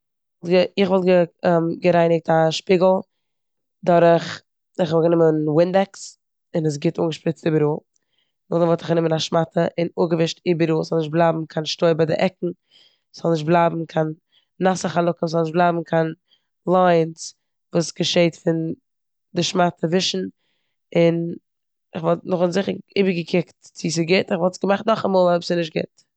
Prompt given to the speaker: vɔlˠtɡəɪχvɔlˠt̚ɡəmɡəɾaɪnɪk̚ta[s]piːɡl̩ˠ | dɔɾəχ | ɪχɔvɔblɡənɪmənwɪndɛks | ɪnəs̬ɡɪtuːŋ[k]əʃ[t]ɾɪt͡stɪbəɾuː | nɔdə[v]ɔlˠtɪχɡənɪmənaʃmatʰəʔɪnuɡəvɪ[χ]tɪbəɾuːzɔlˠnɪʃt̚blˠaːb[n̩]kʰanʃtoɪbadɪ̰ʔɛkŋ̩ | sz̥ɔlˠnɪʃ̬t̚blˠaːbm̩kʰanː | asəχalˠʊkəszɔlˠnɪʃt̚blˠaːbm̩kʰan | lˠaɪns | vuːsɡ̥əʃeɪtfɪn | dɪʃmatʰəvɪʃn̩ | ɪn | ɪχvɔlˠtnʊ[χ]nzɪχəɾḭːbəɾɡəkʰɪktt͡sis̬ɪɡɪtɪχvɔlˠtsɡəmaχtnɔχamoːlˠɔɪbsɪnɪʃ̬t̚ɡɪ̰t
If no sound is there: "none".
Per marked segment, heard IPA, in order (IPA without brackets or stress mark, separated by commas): ʃ, ɡ, p, v, ʃ, m̩, χ